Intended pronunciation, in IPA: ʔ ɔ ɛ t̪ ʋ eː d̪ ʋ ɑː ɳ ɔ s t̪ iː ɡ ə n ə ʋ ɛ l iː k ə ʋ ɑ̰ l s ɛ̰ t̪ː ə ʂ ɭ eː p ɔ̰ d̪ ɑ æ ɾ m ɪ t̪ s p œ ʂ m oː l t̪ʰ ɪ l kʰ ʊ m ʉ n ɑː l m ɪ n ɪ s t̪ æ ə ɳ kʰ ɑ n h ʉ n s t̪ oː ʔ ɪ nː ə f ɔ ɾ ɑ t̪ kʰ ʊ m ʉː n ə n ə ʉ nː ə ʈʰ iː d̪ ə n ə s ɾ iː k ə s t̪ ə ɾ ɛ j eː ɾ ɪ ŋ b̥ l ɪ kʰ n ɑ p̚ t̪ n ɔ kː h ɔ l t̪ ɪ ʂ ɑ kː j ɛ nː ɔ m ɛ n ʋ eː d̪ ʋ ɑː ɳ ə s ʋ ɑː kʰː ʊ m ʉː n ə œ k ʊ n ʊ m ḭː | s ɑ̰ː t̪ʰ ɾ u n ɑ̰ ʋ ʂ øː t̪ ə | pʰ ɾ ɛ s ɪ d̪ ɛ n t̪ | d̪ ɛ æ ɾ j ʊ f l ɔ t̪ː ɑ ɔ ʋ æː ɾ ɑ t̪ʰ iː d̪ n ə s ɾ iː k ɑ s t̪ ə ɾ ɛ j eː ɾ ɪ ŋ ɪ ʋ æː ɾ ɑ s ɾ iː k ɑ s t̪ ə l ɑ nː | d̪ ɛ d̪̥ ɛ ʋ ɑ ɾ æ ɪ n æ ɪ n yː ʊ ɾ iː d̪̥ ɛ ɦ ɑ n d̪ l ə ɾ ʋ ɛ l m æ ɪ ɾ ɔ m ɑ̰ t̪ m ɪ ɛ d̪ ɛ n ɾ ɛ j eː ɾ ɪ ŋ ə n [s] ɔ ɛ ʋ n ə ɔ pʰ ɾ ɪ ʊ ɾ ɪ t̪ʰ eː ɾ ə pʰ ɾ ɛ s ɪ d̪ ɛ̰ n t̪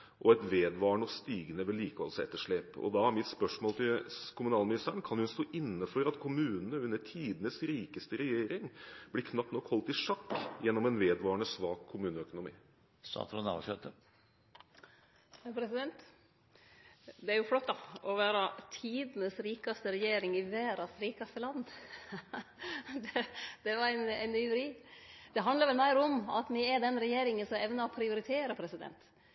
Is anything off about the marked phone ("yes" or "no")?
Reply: no